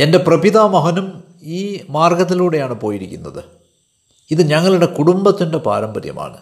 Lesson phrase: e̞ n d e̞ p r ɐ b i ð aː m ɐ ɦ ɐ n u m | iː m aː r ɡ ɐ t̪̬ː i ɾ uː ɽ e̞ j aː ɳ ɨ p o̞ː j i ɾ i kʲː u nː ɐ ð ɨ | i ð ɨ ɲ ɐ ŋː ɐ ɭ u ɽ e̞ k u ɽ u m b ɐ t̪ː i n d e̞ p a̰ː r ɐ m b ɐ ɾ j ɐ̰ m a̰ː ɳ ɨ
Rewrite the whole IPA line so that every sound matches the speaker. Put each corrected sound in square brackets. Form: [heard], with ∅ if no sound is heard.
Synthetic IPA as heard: e̞ n d e̞ p r ɐ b i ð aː m ɐ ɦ ɐ n u m | iː m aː r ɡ ɐ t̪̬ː i [l] uː ɽ e̞ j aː ɳ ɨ p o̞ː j i ɾ i kʲː u nː ɐ ð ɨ | i ð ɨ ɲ ɐ ŋː ɐ ɭ u ɽ e̞ k u ɽ u m b ɐ t̪ː i n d e̞ p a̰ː [ɾ] ɐ m b ɐ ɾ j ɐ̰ m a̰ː ɳ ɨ